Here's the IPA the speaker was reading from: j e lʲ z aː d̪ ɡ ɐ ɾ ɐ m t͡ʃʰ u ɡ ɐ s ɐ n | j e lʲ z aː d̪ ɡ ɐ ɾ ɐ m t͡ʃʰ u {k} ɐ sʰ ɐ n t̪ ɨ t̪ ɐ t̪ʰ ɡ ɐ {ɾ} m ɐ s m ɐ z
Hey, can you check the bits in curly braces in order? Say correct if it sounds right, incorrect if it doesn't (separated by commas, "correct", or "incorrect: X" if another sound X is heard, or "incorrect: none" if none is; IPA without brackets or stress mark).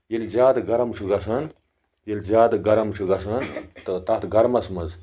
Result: incorrect: ɡ, correct